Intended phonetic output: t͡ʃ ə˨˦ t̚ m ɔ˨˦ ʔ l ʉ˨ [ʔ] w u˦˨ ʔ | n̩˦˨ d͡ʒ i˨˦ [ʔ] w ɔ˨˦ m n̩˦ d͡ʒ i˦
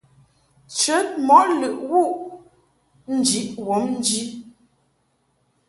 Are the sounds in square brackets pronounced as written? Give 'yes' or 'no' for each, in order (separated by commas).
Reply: yes, yes